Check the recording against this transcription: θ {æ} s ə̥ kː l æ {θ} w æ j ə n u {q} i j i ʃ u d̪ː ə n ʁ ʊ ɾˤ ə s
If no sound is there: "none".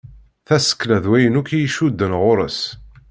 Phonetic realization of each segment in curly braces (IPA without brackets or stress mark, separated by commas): æ, ð, k